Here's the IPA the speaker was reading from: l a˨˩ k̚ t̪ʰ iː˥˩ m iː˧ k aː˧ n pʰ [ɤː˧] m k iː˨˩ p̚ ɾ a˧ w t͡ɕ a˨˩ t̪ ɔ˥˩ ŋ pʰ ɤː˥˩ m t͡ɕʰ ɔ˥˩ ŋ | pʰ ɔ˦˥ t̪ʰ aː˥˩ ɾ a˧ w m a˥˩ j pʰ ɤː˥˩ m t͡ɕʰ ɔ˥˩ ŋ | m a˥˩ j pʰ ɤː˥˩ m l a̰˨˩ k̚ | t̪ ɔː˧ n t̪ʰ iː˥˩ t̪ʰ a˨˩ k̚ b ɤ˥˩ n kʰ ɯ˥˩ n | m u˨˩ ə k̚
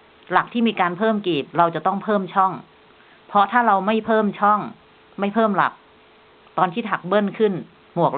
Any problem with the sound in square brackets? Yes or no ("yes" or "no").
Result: yes